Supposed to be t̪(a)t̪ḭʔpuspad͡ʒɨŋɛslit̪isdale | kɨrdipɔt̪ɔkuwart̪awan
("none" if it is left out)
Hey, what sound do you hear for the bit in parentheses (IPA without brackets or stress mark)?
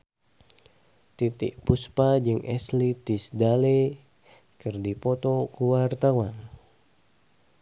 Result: i